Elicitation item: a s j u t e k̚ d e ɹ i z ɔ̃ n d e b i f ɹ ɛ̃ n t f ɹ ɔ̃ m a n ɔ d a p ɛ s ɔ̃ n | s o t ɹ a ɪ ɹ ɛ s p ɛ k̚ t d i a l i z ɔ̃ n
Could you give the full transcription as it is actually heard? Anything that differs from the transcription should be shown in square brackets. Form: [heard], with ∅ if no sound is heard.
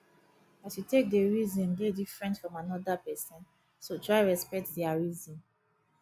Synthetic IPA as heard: a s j u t e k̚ d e ɹ i z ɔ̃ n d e [d] i f ɹ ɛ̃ n t f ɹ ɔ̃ m a n ɔ d a p ɛ s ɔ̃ n | s o t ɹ a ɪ ɹ ɛ s p ɛ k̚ t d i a [ɹ] i z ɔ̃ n